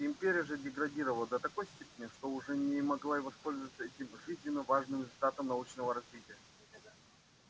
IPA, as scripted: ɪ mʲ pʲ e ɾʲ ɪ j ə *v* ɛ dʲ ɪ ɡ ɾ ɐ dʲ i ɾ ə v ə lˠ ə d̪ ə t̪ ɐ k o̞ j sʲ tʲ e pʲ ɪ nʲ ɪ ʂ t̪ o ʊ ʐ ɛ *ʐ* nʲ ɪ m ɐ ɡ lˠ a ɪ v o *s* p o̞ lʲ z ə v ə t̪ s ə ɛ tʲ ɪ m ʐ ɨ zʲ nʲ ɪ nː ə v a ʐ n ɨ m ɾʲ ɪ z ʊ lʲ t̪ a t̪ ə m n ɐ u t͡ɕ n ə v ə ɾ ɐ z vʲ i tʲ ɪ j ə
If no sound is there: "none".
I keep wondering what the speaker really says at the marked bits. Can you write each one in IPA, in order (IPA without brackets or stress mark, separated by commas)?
ʐ, none, s